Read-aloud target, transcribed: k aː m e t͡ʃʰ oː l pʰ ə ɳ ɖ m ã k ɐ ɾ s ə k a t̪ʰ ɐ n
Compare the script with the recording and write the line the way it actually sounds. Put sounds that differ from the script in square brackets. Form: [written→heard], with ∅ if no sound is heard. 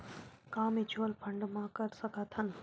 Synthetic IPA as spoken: k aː m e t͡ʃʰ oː l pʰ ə ɳ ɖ m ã k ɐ ɾ s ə k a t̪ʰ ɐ n